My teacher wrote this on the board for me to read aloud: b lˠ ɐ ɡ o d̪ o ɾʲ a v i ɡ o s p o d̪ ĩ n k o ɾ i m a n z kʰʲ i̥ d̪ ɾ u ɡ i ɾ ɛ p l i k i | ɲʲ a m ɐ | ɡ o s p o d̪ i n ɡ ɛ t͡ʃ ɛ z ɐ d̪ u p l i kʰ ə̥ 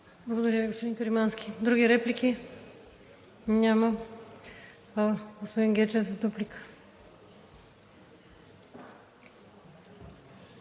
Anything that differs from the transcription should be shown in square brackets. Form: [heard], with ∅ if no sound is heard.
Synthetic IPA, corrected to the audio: b lˠ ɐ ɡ o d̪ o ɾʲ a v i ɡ o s p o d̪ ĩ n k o ɾ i m a n [s] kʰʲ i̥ d̪ ɾ u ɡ i ɾ ɛ p l i k i | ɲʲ a m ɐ | ɡ o s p o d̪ i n ɡ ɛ t͡ʃ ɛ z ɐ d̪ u p l i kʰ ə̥

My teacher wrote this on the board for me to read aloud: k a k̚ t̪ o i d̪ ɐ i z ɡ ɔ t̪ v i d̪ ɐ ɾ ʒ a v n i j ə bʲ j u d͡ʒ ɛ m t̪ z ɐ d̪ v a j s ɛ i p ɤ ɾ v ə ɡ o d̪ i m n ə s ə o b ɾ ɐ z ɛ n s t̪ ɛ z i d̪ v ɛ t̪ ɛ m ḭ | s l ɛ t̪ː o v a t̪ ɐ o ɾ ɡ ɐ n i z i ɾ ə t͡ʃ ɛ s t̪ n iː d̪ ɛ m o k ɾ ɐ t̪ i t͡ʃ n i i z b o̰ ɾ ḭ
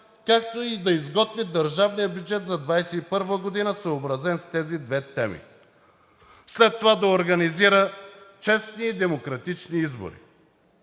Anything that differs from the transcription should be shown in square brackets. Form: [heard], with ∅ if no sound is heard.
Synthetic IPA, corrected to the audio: k a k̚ t̪ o i d̪ ɐ i z ɡ ɔ t̪ v i d̪ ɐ ɾ ʒ a v n i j ə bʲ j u d͡ʒ ɛ [∅] t̪ z ɐ d̪ v a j s ɛ i p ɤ ɾ v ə ɡ o d̪ i [∅] n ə s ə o b ɾ ɐ z ɛ n s t̪ ɛ z i d̪ v ɛ t̪ ɛ m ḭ | s l ɛ t̪ː o v a [d̪] ɐ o ɾ ɡ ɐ n i z i ɾ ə t͡ʃ ɛ s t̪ n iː d̪ ɛ m o k ɾ ɐ t̪ i t͡ʃ n i i z b o̰ ɾ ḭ

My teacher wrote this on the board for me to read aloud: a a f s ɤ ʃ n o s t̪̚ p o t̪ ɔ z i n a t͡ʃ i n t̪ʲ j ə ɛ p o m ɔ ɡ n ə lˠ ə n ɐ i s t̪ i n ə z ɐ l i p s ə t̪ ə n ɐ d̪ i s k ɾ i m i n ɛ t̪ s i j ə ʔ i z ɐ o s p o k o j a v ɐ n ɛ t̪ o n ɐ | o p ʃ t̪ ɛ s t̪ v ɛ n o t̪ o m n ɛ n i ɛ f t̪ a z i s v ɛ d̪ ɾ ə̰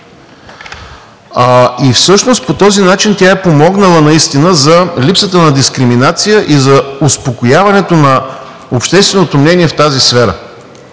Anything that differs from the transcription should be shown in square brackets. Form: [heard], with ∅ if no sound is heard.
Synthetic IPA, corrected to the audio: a [i] f s ɤ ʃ n o s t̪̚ p o t̪ ɔ z i n a t͡ʃ i n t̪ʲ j [a] ɛ p o m ɔ ɡ n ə lˠ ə n ɐ i s t̪ i n ə z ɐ l i p s ə t̪ ə n ɐ d̪ i s k ɾ i m i n [a] t̪ s i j ə ʔ i z ɐ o s p o k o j a v ɐ n ɛ t̪ o n ɐ | o p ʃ t̪ ɛ s t̪ v ɛ n o t̪ o m n ɛ n i ɛ f t̪ a z i s [f] ɛ [∅] ɾ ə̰

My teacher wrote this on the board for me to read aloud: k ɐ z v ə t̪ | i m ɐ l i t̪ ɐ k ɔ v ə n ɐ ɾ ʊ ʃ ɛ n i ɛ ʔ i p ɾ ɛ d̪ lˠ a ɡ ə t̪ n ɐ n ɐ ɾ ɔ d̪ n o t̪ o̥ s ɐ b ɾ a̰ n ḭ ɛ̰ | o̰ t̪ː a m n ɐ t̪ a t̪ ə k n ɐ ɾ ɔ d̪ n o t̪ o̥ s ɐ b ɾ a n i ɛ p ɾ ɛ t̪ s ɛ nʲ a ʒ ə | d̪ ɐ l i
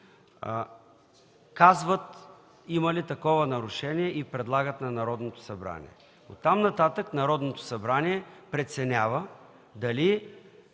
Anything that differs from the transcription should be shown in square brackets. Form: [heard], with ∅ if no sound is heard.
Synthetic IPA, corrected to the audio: k [a] z v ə t̪ | i m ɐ l i t̪ ɐ k ɔ v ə n ɐ ɾ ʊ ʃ ɛ n i ɛ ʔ i p ɾ ɛ d̪ lˠ a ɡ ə t̪ n ɐ n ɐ ɾ ɔ d̪ n o t̪ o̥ s ɐ b ɾ a̰ n ḭ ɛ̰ | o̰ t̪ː a m n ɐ t̪ a t̪ ə k n ɐ ɾ ɔ d̪ n o t̪ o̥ s ɐ b ɾ a n i ɛ p ɾ ɛ t̪ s ɛ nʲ a [v] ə | d̪ ɐ l i

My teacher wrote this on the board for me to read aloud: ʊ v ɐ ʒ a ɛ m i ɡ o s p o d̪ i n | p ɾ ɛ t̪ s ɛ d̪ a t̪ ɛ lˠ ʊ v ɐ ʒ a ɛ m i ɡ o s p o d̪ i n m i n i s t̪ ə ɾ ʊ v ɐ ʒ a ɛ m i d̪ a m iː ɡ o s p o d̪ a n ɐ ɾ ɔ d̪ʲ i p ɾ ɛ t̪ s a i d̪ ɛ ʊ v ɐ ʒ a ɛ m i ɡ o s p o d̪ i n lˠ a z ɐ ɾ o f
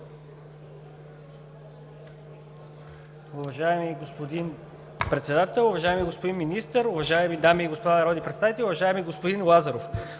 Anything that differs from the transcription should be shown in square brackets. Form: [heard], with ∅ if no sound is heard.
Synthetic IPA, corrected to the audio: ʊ v ɐ ʒ a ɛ m i ɡ o s p o d̪ i n | p ɾ ɛ t̪ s ɛ d̪ a t̪ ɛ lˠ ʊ v ɐ ʒ a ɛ m i ɡ o s p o d̪ i n m i n i s t̪ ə ɾ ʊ v ɐ ʒ a ɛ m i d̪ a m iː ɡ o s p o d̪ a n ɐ ɾ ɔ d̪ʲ i p ɾ ɛ t̪ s a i [t̪] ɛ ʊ v ɐ ʒ a ɛ m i ɡ o s p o d̪ i n lˠ a z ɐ ɾ o f

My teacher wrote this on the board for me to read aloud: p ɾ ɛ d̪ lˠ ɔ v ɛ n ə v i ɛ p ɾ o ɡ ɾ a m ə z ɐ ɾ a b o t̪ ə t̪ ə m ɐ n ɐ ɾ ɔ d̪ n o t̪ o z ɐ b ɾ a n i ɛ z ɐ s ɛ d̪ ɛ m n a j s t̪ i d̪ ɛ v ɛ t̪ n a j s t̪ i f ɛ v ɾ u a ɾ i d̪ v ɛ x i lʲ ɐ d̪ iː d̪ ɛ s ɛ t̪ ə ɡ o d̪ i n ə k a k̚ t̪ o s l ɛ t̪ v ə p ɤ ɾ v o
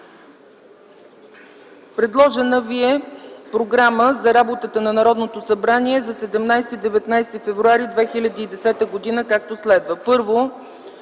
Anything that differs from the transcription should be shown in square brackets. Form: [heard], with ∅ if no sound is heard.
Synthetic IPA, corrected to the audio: p ɾ ɛ d̪ lˠ ɔ [ʒ] ɛ n ə v i ɛ p ɾ o ɡ ɾ a m ə z ɐ ɾ a b o t̪ ə t̪ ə [n] ɐ n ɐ ɾ ɔ d̪ n o t̪ o [s] ɐ b ɾ a n i ɛ z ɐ s ɛ d̪ ɛ m n a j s t̪ i d̪ ɛ v ɛ t̪ n a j s t̪ i f ɛ v ɾ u a ɾ i d̪ v ɛ x i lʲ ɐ d̪ iː d̪ ɛ s ɛ t̪ ə ɡ o d̪ i n ə k a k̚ t̪ o s l ɛ [d̪] v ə p ɤ ɾ v o

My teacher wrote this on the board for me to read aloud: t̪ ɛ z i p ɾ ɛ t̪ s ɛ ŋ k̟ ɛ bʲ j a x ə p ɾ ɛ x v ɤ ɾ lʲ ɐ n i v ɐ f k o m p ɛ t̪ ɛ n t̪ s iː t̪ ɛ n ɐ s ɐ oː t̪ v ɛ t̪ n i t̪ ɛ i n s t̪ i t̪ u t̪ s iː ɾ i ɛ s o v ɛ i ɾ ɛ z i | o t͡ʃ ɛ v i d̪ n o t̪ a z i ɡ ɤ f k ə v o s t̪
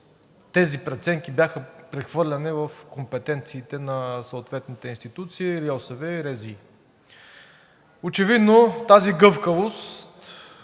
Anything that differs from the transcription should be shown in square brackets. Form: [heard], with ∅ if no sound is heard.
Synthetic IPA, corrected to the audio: t̪ ɛ z i p ɾ ɛ t̪ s ɛ ŋ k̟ [i] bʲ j a x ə p ɾ ɛ x v ɤ ɾ lʲ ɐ n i v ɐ f k o m p ɛ t̪ ɛ n t̪ s iː t̪ ɛ n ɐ s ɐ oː t̪ v ɛ t̪ n i t̪ ɛ i n s t̪ i t̪ u t̪ s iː ɾ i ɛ s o v ɛ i ɾ ɛ z i | o t͡ʃ ɛ v i d̪ n o t̪ a z i ɡ ɤ f k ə v o s t̪

